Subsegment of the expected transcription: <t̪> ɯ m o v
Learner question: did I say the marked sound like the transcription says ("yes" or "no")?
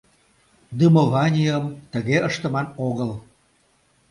no